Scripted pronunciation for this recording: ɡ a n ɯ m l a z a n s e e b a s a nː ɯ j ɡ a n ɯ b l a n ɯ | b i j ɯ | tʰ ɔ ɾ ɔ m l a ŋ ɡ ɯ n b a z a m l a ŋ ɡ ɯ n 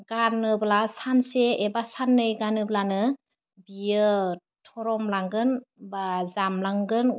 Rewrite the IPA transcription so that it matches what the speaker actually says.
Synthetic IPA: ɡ a n ɯ b l a s a n s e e b a s a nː ɯ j ɡ a n ɯ b l a n ɯ | b i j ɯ | tʰ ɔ ɾ ɔ m l a ŋ ɡ ɯ n b a z a m l a ŋ ɡ ɯ n